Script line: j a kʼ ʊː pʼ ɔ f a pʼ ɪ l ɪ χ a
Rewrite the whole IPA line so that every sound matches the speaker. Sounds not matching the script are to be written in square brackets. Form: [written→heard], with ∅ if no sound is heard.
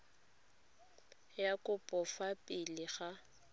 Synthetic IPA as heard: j a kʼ [ʊː→ʊ] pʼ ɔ f a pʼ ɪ l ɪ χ a